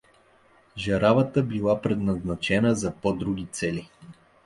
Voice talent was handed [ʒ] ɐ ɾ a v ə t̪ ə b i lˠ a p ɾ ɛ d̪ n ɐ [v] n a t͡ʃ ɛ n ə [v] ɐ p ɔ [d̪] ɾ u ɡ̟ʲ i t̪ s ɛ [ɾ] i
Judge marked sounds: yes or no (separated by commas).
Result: yes, no, no, yes, no